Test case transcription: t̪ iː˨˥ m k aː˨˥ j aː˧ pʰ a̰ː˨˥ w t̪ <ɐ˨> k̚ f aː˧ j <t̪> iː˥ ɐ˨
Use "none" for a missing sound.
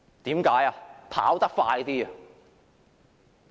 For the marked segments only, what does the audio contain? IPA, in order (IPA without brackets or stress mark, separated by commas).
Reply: ɐ˥, t̪